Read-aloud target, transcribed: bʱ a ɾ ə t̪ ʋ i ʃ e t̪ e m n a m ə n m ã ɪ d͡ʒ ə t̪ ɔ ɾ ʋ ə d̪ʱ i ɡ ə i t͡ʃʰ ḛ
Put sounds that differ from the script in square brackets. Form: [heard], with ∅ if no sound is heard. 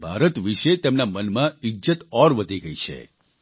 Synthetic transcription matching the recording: bʱ a ɾ ə t̪ ʋ i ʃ e t̪ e m n a m ə n m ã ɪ d͡ʒ ə t̪ ɔ ɾ ʋ ə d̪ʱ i ɡ ə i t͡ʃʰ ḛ